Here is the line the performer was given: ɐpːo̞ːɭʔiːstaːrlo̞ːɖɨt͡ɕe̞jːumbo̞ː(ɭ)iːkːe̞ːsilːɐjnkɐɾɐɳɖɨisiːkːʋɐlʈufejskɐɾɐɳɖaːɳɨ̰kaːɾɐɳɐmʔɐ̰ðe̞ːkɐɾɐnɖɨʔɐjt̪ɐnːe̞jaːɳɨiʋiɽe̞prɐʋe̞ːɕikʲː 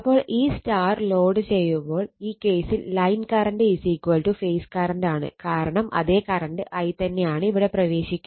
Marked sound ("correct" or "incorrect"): correct